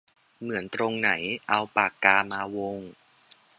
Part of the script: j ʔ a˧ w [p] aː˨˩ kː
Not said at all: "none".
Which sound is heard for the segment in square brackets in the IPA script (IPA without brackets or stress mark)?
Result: p